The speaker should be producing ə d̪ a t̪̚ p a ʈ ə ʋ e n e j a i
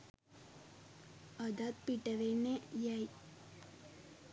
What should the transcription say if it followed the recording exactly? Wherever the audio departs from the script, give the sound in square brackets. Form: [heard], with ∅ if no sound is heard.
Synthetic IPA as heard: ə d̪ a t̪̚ p [i] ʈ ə ʋ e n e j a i